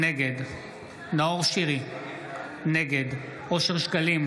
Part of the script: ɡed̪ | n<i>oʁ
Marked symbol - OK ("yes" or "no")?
no